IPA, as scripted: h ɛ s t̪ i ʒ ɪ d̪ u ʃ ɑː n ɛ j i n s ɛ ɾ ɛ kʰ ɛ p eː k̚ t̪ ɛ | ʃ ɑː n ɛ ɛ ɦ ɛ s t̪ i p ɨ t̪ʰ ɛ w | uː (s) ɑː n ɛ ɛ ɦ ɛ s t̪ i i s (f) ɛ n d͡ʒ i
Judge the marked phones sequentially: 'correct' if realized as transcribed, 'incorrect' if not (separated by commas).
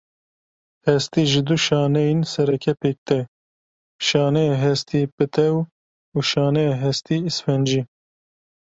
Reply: incorrect, correct